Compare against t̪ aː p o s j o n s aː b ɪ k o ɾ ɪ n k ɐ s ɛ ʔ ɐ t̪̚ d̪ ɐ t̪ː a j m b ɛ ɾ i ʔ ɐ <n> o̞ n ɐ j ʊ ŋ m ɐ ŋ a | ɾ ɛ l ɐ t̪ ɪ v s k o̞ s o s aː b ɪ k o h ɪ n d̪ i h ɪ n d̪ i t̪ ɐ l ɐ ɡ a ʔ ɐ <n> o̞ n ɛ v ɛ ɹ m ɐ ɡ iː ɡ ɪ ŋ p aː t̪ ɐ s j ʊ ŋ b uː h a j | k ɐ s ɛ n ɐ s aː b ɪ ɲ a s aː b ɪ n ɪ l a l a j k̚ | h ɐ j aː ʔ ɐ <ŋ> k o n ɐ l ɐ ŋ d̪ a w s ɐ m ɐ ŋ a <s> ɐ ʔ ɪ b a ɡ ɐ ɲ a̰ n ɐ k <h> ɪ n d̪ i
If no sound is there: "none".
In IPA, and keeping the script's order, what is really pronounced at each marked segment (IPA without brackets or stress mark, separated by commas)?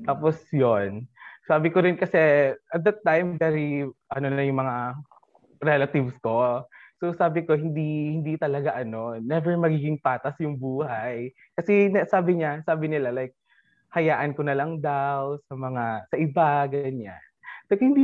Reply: n, n, n, s, h